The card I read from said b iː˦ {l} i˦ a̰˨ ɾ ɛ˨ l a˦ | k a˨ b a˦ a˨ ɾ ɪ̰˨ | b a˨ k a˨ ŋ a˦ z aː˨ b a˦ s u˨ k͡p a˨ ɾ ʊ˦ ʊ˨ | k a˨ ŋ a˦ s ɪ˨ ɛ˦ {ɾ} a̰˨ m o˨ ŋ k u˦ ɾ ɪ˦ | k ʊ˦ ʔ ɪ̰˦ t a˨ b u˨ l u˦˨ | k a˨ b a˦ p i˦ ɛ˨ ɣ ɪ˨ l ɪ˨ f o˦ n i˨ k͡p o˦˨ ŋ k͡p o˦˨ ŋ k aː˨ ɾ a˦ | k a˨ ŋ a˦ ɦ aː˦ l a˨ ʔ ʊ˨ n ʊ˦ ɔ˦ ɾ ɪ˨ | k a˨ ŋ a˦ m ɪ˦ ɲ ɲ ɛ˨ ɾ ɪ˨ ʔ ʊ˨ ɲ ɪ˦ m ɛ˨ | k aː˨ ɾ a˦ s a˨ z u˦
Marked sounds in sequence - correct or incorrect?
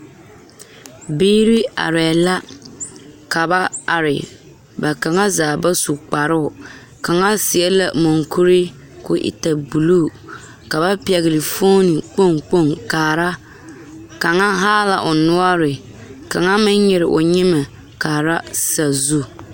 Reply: incorrect: ɾ, incorrect: l

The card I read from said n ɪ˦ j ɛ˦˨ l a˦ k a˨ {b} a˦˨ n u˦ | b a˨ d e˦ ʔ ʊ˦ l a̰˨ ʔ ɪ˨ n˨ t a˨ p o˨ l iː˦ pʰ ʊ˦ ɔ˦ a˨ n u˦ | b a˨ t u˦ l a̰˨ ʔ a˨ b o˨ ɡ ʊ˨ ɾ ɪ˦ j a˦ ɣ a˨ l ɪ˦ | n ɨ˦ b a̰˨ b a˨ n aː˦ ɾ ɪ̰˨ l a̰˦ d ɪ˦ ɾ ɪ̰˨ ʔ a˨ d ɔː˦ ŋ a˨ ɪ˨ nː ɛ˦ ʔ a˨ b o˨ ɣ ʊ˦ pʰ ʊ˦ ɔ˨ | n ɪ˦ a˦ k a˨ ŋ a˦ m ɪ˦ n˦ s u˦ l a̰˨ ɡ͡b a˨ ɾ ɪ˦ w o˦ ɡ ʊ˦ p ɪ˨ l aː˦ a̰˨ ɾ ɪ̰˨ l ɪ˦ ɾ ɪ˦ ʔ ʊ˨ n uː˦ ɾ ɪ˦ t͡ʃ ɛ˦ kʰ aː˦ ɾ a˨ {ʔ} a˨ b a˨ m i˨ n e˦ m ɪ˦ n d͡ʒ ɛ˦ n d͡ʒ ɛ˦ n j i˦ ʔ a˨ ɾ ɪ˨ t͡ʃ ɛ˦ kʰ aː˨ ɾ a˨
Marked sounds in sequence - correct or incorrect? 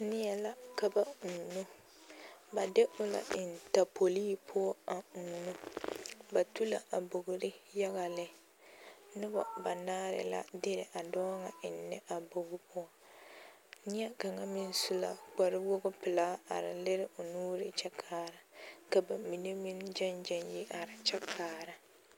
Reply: correct, incorrect: k

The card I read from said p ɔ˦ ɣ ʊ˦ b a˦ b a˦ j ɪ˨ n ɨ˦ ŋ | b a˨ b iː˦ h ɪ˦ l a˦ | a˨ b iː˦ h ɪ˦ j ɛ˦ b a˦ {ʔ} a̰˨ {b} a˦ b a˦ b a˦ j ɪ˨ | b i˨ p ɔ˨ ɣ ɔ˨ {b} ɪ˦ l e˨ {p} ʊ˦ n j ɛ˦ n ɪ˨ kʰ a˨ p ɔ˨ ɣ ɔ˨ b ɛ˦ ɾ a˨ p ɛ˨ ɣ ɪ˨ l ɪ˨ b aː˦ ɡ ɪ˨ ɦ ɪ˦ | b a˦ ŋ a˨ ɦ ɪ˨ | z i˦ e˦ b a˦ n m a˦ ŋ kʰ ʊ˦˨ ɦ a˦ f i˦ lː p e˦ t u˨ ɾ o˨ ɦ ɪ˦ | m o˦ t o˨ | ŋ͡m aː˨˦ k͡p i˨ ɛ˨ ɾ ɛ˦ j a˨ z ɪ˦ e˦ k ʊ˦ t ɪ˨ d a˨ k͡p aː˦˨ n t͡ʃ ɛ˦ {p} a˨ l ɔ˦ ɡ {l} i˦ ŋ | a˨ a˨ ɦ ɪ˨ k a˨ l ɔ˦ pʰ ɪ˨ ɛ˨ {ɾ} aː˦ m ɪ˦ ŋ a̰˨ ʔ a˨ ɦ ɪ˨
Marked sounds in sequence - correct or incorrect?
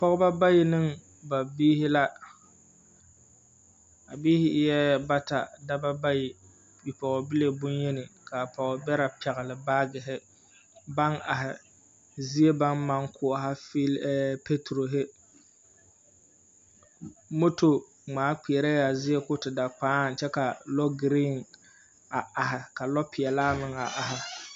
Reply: incorrect: t, incorrect: d, correct, incorrect: b, incorrect: k, incorrect: ɾ, incorrect: l

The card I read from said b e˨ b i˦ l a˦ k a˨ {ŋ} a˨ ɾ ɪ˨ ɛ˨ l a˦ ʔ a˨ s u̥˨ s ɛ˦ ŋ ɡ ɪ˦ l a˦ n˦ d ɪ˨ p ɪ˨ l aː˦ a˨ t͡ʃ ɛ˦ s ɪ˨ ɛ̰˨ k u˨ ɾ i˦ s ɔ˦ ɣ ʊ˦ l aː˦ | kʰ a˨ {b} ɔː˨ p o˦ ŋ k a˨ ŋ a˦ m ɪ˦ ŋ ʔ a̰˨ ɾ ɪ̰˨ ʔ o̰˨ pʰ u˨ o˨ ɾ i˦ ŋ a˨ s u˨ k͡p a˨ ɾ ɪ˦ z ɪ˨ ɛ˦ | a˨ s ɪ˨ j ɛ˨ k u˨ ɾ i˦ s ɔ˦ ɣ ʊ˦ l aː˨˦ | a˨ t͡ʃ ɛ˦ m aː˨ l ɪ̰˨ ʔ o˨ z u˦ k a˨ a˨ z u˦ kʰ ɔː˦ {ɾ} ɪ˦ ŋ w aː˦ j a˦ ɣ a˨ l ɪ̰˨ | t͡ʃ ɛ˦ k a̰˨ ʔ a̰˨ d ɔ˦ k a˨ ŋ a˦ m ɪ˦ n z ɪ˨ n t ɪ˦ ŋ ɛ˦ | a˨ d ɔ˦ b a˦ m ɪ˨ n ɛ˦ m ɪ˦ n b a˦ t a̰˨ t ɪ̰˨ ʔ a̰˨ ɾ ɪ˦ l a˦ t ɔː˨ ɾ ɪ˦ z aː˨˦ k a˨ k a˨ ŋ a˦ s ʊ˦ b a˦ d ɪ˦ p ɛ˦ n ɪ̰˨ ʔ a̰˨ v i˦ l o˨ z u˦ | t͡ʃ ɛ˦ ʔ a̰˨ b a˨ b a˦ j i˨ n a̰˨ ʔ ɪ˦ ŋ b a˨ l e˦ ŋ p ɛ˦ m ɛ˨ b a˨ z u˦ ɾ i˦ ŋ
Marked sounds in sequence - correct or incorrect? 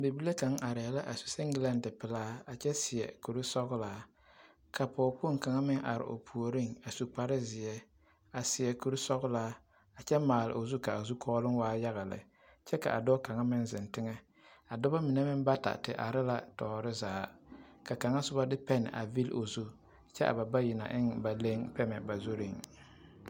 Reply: correct, incorrect: p, incorrect: l

